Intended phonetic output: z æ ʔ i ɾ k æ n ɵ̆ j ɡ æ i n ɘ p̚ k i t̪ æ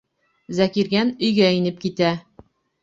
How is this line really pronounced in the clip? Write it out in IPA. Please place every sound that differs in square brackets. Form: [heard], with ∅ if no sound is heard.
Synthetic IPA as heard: z æ [k] i ɾ [ɡ] æ n ɵ̆ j ɡ æ i n ɘ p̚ k i t̪ æ